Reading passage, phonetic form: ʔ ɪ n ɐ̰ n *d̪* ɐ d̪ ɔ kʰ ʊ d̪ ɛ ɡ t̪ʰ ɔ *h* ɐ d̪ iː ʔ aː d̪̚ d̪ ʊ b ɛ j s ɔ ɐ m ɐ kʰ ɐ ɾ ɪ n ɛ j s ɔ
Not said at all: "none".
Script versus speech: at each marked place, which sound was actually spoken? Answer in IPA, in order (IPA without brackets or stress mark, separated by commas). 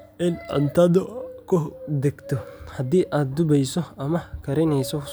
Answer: t̪, h